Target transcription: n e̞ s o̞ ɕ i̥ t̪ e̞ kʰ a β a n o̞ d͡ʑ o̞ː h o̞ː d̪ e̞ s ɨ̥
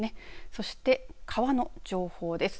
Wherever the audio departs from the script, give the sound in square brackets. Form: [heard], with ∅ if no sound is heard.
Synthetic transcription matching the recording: n e̞ s o̞ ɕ i̥ t̪ e̞ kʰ a β a n o̞ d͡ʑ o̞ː h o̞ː d̪ e̞ s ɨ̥